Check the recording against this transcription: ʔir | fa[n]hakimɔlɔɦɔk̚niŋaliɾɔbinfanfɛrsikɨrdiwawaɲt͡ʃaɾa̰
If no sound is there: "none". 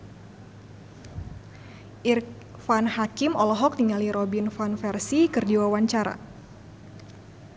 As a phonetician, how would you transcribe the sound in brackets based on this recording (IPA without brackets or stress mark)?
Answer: n